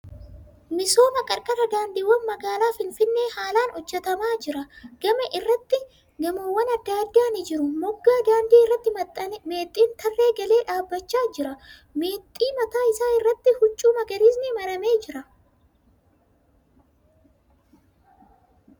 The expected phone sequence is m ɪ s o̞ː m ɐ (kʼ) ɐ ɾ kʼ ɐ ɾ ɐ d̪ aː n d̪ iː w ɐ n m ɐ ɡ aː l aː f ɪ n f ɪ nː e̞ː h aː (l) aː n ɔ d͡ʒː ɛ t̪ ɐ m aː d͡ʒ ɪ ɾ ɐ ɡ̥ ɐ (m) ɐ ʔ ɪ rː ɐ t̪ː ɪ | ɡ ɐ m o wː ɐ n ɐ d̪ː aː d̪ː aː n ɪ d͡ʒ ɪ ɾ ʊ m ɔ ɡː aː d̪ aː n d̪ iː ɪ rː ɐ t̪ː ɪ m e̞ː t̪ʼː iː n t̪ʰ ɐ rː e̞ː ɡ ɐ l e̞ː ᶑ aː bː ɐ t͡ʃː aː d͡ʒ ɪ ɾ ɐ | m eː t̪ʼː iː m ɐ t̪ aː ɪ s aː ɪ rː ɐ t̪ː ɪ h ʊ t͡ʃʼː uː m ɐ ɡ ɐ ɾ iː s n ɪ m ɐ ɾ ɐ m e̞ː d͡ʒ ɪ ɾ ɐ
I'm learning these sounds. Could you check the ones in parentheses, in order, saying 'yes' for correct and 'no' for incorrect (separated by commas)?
yes, yes, yes